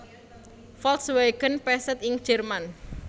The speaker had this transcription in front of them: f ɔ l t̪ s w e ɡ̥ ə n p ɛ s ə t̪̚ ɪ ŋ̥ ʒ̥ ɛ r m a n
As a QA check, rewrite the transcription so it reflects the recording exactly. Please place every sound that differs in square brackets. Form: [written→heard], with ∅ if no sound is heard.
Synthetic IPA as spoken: f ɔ l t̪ s w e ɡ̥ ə n p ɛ s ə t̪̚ ɪ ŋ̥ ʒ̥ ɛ r m a n